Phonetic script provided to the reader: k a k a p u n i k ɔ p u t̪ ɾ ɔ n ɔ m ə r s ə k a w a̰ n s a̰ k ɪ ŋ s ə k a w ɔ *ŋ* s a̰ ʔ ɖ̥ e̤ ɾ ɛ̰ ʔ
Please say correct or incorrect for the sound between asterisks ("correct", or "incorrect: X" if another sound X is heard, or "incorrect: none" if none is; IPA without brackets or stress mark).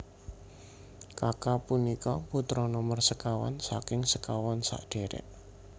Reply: incorrect: n